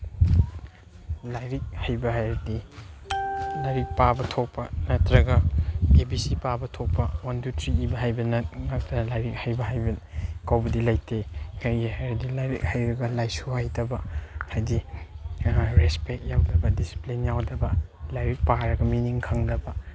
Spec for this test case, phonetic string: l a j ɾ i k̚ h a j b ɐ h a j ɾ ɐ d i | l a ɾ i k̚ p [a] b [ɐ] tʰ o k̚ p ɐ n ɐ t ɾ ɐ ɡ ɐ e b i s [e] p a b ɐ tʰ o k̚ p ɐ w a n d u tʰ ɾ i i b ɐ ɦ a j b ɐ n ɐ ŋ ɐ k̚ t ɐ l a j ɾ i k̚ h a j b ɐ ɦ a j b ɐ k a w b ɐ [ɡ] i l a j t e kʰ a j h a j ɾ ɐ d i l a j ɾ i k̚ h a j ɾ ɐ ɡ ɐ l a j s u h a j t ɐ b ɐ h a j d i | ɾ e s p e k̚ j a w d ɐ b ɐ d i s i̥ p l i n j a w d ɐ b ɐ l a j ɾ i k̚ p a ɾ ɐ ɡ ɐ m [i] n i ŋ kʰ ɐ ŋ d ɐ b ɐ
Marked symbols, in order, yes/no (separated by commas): yes, yes, no, no, yes